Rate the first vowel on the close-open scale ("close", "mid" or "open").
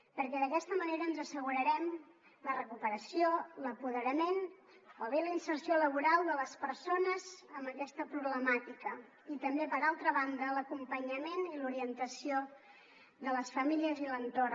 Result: mid